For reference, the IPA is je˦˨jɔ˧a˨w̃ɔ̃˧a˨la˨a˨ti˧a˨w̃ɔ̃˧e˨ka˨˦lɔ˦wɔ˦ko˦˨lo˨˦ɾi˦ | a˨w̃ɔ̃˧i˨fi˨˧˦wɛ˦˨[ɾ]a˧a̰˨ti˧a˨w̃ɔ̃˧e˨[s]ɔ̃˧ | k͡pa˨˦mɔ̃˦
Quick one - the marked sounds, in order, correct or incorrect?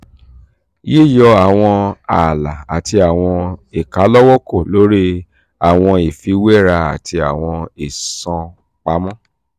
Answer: correct, correct

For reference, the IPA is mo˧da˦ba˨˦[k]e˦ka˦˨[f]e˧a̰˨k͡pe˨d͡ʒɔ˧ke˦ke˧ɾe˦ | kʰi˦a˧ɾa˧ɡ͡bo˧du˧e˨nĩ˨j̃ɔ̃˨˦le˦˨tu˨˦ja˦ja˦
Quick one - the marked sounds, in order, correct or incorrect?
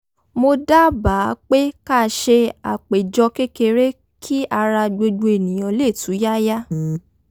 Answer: incorrect: k͡p, incorrect: ʃ

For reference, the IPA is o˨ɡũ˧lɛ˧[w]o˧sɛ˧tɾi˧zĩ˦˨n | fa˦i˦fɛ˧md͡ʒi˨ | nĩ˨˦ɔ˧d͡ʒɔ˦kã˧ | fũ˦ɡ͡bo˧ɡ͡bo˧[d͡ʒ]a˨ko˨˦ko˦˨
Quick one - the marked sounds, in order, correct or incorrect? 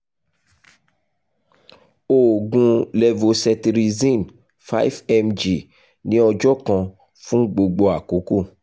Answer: incorrect: v, incorrect: none

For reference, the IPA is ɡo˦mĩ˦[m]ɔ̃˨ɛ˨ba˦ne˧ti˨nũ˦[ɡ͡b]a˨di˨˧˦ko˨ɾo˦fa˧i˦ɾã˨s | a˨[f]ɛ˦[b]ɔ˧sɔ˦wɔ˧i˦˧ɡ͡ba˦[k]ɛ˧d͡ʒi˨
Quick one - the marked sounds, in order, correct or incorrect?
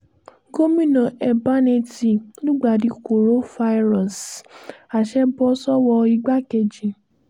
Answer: incorrect: n, correct, incorrect: ʃ, correct, correct

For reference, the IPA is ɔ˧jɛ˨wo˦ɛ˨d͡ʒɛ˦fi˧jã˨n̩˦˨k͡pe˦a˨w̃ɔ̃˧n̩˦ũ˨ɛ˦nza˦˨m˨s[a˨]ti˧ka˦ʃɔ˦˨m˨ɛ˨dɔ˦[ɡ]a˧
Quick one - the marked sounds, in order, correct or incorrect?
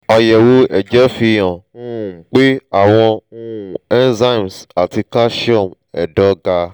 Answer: correct, correct

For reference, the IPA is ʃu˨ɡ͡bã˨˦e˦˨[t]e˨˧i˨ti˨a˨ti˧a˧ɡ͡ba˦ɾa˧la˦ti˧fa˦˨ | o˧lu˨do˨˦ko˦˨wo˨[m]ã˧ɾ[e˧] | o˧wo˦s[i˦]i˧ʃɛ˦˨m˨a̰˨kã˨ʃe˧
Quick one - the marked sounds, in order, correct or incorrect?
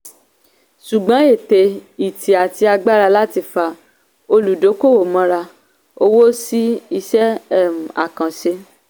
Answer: correct, correct, incorrect: a˧, correct

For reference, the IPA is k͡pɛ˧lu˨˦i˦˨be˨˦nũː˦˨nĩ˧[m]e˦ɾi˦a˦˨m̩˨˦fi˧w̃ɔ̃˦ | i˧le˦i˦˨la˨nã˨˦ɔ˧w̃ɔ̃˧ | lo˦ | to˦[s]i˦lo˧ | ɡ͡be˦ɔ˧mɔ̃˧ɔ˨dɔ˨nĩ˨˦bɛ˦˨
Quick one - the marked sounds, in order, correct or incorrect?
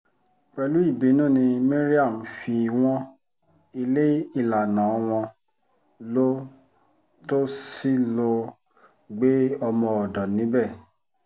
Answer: correct, correct

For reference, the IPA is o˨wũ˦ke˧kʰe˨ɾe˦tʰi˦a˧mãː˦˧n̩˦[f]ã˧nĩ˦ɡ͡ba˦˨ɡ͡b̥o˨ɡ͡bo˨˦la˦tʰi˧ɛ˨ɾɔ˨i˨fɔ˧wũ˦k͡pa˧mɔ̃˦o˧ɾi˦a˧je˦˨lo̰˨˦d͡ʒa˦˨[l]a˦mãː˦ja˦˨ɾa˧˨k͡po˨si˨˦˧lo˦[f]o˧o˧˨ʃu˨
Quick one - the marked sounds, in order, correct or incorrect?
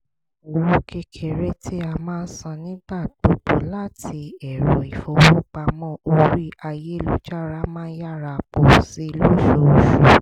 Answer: incorrect: s, incorrect: ɾ, incorrect: ʃ

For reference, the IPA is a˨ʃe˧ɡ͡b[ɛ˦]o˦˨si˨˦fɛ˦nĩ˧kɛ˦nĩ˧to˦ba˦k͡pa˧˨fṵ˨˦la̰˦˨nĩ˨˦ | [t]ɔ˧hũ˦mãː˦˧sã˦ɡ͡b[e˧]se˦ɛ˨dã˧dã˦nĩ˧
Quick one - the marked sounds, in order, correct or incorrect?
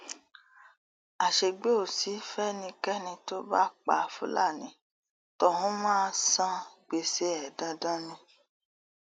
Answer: incorrect: e˦, correct, correct

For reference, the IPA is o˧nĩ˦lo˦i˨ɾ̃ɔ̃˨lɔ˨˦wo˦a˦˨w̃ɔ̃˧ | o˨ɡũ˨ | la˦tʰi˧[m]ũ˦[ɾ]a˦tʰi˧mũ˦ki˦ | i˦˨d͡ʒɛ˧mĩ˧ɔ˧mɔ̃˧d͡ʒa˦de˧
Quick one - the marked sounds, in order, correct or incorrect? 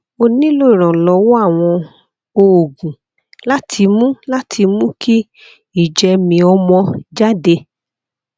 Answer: correct, incorrect: l

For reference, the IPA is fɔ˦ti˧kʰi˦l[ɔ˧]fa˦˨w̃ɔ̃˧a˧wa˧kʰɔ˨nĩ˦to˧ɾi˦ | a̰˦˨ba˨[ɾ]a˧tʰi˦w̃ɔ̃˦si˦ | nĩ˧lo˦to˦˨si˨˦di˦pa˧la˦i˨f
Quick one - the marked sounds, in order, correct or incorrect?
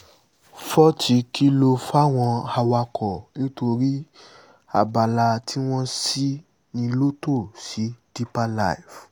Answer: incorrect: o˧, incorrect: l

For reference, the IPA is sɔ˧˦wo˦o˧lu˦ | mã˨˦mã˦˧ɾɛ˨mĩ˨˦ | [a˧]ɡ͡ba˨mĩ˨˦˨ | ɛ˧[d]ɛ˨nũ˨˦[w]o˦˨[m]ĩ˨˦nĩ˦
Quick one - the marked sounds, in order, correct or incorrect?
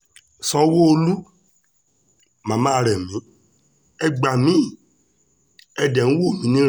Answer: incorrect: ɛ˧, correct, correct, correct

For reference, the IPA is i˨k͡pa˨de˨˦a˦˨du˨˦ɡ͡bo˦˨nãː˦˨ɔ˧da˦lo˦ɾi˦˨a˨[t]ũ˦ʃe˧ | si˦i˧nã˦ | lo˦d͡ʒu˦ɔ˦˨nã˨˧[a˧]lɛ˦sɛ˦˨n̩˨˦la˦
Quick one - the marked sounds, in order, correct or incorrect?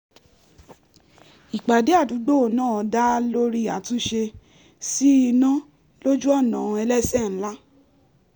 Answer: correct, incorrect: ɛ˧

